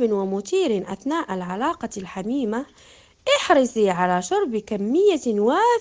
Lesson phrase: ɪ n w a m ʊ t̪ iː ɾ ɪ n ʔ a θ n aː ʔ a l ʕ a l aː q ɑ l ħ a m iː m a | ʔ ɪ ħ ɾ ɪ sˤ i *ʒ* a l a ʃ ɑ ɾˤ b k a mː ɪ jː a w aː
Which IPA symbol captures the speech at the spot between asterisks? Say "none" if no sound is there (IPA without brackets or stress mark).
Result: ʕ